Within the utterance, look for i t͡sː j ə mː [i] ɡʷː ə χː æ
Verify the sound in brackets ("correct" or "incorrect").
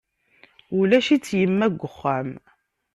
incorrect